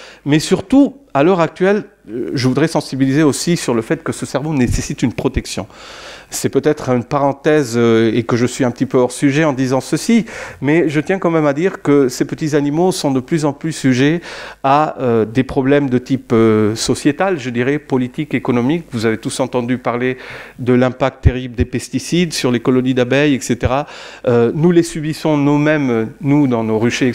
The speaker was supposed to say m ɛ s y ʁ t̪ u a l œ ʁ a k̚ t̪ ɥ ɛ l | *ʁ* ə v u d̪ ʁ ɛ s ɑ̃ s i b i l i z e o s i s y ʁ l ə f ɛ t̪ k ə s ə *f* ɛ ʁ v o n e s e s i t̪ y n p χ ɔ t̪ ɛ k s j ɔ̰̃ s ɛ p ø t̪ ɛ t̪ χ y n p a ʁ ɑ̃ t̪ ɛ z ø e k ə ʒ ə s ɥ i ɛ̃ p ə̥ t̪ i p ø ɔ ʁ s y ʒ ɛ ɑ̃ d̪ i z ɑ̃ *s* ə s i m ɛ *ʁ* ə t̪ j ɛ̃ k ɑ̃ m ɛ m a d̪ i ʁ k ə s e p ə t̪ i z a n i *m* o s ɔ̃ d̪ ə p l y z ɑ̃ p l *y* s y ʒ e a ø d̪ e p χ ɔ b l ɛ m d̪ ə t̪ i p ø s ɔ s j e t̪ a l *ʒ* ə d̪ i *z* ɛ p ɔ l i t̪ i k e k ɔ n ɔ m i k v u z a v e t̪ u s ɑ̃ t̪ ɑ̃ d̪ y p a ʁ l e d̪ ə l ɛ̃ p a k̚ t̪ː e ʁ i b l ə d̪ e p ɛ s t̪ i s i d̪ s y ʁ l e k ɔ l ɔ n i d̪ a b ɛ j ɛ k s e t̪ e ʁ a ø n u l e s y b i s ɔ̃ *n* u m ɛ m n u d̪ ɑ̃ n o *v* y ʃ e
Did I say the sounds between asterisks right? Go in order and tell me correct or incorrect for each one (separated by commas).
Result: incorrect, incorrect, correct, incorrect, correct, correct, correct, incorrect, correct, incorrect